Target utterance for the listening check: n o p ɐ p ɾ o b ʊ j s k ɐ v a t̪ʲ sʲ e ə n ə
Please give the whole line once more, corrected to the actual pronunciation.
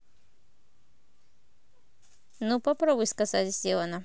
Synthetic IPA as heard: n u p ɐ p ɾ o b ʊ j s k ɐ z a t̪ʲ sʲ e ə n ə